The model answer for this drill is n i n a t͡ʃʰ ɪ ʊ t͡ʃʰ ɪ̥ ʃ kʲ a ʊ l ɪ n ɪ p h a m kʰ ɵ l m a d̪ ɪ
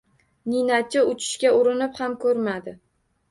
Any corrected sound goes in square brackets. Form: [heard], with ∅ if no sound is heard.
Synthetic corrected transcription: n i n a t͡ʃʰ ɪ ʊ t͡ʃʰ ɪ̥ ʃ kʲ a ʊ [ɾ] ɪ n ɪ p h a m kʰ ɵ [ɾ] m a d̪ ɪ